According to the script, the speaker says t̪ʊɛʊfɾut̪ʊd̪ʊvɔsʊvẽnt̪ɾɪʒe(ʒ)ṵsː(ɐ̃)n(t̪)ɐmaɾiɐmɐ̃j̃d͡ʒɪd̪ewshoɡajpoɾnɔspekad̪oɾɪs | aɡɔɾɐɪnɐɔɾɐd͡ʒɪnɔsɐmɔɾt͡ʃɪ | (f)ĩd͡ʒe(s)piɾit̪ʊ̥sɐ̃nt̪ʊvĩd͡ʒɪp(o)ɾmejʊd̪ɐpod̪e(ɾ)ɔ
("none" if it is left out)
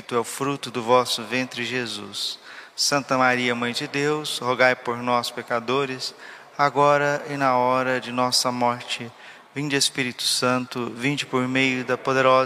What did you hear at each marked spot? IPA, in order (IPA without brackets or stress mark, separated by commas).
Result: z, ɐ̃, t̪, v, s, o, ɾ